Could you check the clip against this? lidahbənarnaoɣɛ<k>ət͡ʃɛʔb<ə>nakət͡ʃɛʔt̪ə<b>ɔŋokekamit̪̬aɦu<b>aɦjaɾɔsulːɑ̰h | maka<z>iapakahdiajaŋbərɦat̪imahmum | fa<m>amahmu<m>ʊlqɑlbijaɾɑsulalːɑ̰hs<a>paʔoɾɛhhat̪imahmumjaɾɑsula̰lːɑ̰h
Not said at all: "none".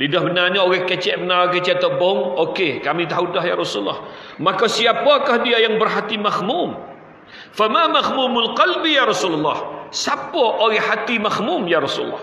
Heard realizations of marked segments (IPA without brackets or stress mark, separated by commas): k, ə, b, d, s, m, m, a